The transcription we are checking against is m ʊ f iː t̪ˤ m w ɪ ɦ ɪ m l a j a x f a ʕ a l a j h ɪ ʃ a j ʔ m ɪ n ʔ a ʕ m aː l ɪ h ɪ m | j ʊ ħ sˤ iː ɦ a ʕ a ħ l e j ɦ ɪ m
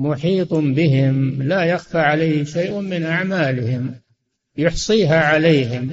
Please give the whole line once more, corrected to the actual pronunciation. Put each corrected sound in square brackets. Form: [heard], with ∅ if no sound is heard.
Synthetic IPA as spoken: m ʊ [ħ] iː t̪ˤ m [b] ɪ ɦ ɪ m l a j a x f a ʕ a l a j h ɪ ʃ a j ʔ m ɪ n ʔ a ʕ m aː l ɪ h ɪ m | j ʊ ħ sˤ iː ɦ a ʕ a [∅] l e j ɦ ɪ m